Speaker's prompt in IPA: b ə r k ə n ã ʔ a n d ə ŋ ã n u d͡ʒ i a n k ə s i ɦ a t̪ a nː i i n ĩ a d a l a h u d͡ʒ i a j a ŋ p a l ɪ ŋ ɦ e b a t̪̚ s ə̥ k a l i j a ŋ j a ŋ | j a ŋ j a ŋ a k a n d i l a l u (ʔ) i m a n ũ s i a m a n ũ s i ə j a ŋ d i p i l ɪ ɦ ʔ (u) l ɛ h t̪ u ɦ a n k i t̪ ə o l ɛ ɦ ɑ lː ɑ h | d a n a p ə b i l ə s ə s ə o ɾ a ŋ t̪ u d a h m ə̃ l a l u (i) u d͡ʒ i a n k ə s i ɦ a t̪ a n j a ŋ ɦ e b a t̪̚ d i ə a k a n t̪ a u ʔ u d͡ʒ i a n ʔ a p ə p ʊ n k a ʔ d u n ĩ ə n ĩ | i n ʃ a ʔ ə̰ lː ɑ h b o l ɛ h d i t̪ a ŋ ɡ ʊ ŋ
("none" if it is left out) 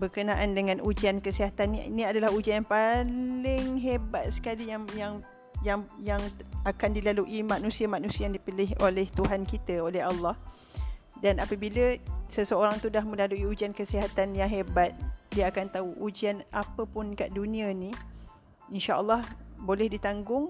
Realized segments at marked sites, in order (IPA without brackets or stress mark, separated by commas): ʔ, o, i